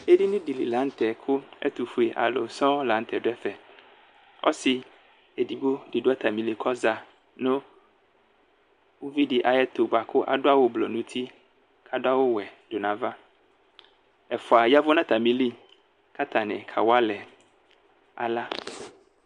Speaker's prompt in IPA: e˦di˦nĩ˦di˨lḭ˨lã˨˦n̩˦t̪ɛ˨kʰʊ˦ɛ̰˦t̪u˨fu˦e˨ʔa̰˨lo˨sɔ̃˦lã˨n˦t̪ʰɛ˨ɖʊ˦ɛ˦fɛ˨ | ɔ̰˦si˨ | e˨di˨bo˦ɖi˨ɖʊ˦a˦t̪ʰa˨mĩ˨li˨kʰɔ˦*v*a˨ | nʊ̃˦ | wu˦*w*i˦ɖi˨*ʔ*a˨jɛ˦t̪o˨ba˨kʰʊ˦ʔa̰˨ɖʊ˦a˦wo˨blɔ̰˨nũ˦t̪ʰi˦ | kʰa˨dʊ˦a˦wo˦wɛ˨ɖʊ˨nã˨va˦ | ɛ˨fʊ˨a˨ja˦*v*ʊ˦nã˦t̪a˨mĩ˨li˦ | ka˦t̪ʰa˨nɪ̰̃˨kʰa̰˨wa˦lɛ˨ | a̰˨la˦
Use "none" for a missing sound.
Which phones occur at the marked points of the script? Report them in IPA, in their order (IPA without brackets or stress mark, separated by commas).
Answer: z, v, ʔ, v